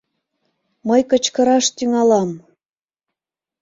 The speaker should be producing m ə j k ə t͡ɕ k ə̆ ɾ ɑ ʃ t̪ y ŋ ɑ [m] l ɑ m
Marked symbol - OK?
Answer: no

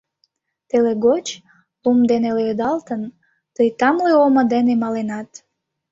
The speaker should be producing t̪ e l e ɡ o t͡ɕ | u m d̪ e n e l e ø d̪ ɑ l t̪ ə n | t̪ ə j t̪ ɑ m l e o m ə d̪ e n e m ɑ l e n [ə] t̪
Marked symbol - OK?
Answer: no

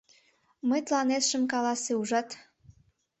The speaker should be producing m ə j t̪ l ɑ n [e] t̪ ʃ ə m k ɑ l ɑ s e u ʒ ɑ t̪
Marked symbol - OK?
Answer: yes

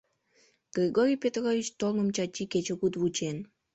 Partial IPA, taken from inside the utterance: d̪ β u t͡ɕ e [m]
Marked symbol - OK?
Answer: no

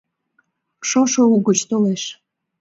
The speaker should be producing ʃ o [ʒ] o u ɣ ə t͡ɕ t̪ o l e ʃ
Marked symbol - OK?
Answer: no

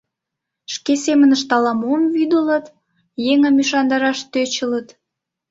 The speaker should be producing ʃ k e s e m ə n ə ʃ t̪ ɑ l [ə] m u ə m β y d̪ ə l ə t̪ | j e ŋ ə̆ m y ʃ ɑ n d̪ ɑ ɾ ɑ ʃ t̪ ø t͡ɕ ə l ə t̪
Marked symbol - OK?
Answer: no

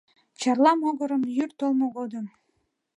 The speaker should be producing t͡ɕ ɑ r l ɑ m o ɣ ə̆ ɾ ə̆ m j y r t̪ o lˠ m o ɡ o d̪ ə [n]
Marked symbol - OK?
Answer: no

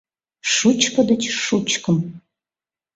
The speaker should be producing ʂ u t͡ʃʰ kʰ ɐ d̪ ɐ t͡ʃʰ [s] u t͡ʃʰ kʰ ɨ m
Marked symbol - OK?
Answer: no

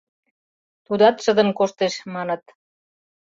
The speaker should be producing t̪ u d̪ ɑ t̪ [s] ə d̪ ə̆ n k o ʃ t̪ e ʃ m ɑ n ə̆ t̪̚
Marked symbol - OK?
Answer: no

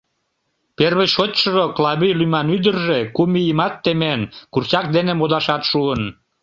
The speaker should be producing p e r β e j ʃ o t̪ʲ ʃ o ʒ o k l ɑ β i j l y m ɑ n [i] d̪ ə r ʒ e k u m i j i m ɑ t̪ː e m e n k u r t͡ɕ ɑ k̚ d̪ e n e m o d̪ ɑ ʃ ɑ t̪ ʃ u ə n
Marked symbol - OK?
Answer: no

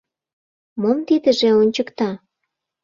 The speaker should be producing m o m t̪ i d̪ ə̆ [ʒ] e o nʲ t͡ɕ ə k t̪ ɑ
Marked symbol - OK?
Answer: yes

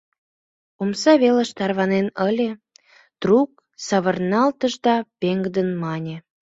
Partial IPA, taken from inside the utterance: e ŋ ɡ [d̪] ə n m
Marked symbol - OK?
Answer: yes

